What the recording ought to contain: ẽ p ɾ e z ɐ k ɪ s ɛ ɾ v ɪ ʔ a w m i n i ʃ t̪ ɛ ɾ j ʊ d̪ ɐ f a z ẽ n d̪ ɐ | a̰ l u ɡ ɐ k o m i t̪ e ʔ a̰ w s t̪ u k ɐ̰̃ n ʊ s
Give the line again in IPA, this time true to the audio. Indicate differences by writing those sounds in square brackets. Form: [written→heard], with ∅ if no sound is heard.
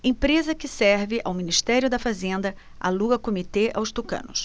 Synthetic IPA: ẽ p ɾ e z ɐ k ɪ s ɛ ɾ v ɪ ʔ a w m i n i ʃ t̪ ɛ ɾ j ʊ d̪ ɐ f a z ẽ n d̪ ɐ | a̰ l u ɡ ɐ k o m i t̪ e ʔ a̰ w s t̪ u k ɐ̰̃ n ʊ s